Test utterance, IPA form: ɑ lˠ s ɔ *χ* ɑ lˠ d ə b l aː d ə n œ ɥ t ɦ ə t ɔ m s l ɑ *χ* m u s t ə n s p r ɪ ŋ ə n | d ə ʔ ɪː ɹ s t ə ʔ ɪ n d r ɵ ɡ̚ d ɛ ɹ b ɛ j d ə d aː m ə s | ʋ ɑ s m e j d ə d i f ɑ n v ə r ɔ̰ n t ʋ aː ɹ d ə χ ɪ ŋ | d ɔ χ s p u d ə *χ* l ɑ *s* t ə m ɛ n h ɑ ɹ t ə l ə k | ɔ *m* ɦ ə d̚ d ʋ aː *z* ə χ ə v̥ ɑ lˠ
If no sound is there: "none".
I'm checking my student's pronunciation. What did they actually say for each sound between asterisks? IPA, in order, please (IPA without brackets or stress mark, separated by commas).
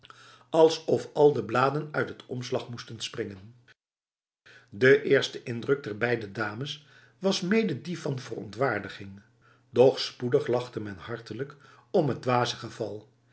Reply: f, χ, χ, χ, m, z